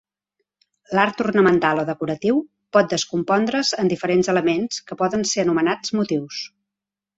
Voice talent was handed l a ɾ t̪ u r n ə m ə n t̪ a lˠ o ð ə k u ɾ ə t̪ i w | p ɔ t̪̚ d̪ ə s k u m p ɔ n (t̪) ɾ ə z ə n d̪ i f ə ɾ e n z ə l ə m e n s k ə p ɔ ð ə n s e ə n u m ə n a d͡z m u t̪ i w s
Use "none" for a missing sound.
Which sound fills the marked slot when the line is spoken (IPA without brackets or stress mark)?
d̪